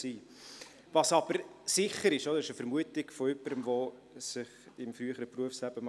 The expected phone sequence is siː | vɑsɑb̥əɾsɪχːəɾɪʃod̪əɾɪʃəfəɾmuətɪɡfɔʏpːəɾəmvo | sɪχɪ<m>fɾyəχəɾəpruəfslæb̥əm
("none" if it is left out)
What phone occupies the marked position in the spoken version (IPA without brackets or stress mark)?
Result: m